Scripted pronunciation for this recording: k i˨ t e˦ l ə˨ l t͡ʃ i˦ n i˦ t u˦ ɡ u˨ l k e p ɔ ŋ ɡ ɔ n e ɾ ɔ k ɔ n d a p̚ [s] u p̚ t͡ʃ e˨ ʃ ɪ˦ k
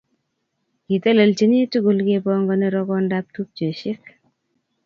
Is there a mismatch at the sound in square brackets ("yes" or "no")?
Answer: yes